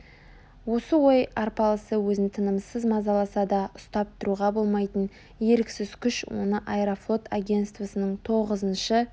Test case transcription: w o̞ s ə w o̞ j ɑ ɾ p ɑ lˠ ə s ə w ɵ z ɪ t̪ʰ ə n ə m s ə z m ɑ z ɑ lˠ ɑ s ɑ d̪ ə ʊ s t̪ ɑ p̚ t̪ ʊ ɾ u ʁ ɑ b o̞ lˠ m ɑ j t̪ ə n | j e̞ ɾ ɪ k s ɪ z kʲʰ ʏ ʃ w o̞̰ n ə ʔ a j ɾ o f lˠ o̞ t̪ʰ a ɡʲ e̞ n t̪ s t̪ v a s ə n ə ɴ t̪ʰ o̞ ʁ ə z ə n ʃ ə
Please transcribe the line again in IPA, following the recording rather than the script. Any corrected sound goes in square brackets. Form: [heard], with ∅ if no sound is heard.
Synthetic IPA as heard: w o̞ s ə w o̞ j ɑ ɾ p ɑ lˠ ə s ə w ɵ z ɪ t̪ʰ ə n ə m s ə z m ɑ z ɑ lˠ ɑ s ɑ d̪ [ɑ] ʊ s t̪ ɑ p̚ t̪ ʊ ɾ u ʁ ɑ b o̞ lˠ m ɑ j t̪ ə n | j e̞ ɾ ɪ k s ɪ z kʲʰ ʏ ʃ w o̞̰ n ə ʔ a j ɾ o f lˠ o̞ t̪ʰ a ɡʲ e̞ n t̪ s t̪ v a s ə n ə ɴ t̪ʰ o̞ ʁ ə z ə n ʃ ə

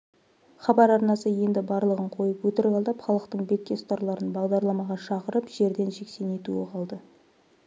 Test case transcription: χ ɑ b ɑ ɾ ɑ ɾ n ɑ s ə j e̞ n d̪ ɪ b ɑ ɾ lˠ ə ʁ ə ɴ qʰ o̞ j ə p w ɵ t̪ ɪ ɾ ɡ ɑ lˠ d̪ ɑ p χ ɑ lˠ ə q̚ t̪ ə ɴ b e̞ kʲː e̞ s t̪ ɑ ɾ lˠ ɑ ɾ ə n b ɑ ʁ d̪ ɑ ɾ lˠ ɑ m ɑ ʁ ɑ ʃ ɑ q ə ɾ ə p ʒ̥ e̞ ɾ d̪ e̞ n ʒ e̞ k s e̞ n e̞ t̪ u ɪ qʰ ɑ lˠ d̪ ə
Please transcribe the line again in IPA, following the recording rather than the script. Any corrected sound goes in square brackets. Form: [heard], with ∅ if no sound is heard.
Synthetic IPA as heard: χ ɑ b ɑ ɾ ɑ ɾ n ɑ s ə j e̞ n d̪ ɪ b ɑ ɾ lˠ ə ʁ ə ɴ qʰ o̞ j ə p w ɵ t̪ ɪ ɾ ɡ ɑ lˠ d̪ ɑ p χ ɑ lˠ ə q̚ t̪ ə ɴ b e̞ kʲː e̞ s t̪ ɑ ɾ lˠ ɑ ɾ ə n b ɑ ʁ d̪ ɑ ɾ lˠ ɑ m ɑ ʁ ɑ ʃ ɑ q ə ɾ ə p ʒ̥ e̞ ɾ d̪ e̞ n ʒ e̞ k s e̞ n e̞ t̪ u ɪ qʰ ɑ lˠ d̪ ə

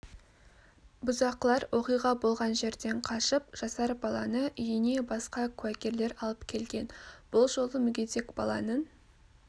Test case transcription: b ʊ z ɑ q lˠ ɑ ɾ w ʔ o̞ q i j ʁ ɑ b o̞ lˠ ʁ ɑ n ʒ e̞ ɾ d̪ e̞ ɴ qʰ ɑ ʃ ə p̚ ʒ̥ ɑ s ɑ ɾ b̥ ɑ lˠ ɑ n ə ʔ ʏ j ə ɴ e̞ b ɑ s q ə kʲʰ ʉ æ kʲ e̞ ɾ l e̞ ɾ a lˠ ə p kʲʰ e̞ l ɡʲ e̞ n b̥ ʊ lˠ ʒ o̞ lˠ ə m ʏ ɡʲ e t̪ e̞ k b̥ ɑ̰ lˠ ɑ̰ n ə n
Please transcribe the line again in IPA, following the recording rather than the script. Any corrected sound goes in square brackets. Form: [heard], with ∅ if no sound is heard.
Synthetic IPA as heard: b ʊ z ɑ q lˠ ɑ ɾ w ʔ o̞ q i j ʁ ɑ b o̞ lˠ ʁ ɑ n ʒ e̞ ɾ d̪ e̞ ɴ qʰ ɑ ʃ ə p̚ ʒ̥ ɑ s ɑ ɾ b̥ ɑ lˠ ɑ n ə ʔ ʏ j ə [n] e̞ b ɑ s q [ɑ] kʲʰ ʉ æ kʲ e̞ ɾ l e̞ ɾ [ɑ] lˠ ə p kʲʰ e̞ l ɡʲ e̞ n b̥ ʊ lˠ ʒ o̞ lˠ ə m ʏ ɡʲ e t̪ e̞ k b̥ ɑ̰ lˠ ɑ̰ n ə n

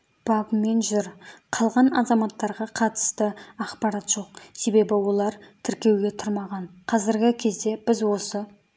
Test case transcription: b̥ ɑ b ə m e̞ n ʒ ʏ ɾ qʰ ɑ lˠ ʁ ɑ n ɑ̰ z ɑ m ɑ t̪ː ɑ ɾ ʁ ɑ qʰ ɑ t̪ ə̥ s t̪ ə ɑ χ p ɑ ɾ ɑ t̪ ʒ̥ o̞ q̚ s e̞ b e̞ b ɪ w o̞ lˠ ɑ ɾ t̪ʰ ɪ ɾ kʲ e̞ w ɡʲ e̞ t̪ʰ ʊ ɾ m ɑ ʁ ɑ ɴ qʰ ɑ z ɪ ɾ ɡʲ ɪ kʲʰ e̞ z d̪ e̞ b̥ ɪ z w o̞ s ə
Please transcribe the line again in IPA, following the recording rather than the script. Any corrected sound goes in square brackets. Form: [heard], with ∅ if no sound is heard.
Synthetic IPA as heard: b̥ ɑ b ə m e̞ n ʒ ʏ ɾ qʰ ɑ lˠ ʁ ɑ n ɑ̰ z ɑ m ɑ t̪ː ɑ ɾ ʁ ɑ qʰ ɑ t̪ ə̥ s t̪ ə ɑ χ p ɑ ɾ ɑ t̪ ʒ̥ o̞ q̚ s e̞ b e̞ b ɪ w o̞ lˠ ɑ ɾ t̪ʰ ɪ ɾ kʲ e̞ w ɡʲ e̞ t̪ʰ ʊ ɾ m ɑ ʁ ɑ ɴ qʰ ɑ z ɪ ɾ ɡʲ ɪ kʲʰ e̞ z d̪ e̞ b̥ ɪ z w o̞ s ə

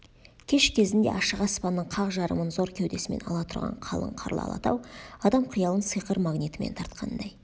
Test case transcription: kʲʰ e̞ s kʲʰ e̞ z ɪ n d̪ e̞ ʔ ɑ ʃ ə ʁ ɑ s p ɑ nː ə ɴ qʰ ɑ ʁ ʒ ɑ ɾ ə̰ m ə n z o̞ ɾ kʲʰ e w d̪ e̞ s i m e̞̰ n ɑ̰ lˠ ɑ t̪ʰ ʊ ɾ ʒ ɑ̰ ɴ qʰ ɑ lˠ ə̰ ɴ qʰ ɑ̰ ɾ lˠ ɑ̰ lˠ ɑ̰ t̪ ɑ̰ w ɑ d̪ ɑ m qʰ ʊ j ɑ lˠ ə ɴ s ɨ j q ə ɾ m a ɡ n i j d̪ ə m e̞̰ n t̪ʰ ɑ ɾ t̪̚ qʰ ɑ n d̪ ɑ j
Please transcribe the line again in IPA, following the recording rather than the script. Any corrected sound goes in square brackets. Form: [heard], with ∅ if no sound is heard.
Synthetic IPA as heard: kʲʰ e̞ [ʃ] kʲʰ e̞ z ɪ n d̪ e̞ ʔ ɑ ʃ ə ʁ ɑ s p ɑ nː ə ɴ qʰ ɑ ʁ ʒ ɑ ɾ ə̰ m ə n z o̞ ɾ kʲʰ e w d̪ e̞ s [ɪ] m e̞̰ n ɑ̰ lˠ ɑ t̪ʰ ʊ ɾ [ʁ] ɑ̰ ɴ qʰ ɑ lˠ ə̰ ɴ qʰ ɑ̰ ɾ lˠ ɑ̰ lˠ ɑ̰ t̪ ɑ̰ w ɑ d̪ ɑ m qʰ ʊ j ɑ lˠ ə [n] s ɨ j q ə ɾ m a ɡ n i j [t̪] ə m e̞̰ n t̪ʰ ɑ ɾ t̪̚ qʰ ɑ n d̪ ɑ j

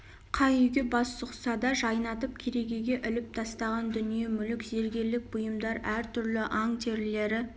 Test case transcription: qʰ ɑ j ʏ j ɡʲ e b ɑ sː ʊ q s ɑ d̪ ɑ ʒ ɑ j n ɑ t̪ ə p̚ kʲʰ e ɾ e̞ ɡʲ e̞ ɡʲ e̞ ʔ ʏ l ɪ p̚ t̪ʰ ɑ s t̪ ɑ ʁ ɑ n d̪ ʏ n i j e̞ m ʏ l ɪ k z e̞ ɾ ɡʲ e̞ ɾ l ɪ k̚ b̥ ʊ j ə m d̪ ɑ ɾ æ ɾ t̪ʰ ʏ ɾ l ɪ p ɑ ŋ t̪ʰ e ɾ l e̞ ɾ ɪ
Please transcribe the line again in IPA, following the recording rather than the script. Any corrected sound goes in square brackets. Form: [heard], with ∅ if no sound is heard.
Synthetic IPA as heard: qʰ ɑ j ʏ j ɡʲ e b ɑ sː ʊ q s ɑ d̪ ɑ ʒ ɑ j n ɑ t̪ ə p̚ kʲʰ e ɾ e̞ ɡʲ e̞ ɡʲ e̞ ʔ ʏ l ɪ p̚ t̪ʰ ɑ s t̪ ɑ ʁ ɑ n d̪ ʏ n i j e̞ m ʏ l ɪ k z e̞ ɾ ɡʲ e̞ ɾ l ɪ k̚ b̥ ʊ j ə m d̪ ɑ ɾ æ ɾ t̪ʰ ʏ ɾ l ɪ [ʔ] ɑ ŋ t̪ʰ e ɾ l e̞ ɾ ɪ

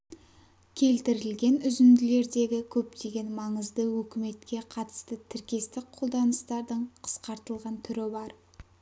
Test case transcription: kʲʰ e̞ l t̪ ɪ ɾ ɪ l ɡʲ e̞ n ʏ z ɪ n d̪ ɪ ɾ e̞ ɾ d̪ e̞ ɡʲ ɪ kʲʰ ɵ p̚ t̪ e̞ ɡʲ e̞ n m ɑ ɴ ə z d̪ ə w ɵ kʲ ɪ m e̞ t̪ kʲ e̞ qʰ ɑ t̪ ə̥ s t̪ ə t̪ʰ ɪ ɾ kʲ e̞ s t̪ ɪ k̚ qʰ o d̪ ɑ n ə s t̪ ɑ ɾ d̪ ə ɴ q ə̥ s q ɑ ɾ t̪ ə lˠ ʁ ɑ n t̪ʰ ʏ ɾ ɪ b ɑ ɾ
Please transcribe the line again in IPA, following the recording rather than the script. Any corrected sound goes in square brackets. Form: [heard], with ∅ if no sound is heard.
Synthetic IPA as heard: kʲʰ e̞ l t̪ ɪ ɾ ɪ l ɡʲ e̞ n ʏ z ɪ n d̪ ɪ [l] e̞ ɾ d̪ e̞ ɡʲ ɪ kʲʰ ɵ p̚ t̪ e̞ ɡʲ e̞ n m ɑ ɴ ə z d̪ ə w ɵ kʲ ɪ m e̞ t̪ kʲ e̞ qʰ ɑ t̪ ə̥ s t̪ ə t̪ʰ ɪ ɾ kʲ e̞ s t̪ ɪ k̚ qʰ o d̪ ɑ n ə s t̪ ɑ ɾ d̪ ə ɴ [qʰ] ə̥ s q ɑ ɾ t̪ ə lˠ ʁ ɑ n t̪ʰ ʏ ɾ ɪ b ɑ ɾ

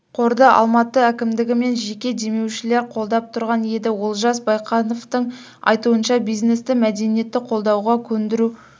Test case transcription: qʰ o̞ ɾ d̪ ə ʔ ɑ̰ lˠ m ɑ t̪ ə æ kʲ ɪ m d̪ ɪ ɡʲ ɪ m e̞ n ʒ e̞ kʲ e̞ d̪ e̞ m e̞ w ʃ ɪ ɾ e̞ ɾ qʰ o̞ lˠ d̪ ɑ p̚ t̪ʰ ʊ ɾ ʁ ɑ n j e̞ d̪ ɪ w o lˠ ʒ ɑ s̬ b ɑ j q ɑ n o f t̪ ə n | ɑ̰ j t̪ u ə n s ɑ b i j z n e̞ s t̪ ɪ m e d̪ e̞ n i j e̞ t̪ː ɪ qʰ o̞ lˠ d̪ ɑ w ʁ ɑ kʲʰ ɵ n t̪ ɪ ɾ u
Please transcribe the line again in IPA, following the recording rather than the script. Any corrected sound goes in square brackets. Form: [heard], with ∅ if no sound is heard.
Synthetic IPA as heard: qʰ o̞ ɾ d̪ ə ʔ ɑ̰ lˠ m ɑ t̪ ə æ kʲ ɪ m d̪ ɪ ɡʲ ɪ m e̞ n ʒ e̞ kʲ e̞ d̪ e̞ m e̞ w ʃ ɪ [l] e̞ ɾ qʰ o̞ lˠ d̪ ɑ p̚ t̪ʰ ʊ ɾ ʁ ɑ n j e̞ d̪ ɪ w o lˠ ʒ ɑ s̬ b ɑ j q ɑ n o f t̪ ə [ɴ] | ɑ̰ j t̪ u ə n [ʃ] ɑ b i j z n e̞ s t̪ ɪ m [æ] d̪ e̞ n i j e̞ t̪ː ɪ qʰ o̞ lˠ d̪ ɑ w ʁ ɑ kʲʰ ɵ n [d̪] ɪ ɾ u

